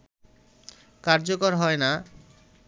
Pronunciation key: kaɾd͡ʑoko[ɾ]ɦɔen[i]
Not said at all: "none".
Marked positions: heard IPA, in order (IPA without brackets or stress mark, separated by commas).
ɾ, a